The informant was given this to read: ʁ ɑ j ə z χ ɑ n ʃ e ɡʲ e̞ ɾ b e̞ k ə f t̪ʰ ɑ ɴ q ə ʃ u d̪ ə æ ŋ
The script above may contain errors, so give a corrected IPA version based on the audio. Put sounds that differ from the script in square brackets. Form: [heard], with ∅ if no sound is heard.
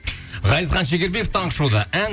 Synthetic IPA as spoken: ʁ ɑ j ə z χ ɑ n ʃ e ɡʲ e̞ ɾ b e̞ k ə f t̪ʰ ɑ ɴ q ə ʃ u d̪ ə æ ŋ